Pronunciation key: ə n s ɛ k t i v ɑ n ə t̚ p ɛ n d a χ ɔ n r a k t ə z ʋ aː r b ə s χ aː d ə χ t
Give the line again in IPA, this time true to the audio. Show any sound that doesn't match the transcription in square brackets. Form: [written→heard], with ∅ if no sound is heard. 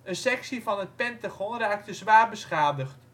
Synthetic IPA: ə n s ɛ k [t→s] i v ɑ n ə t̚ p ɛ n [d→t] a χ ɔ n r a k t ə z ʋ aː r b ə s χ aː d ə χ t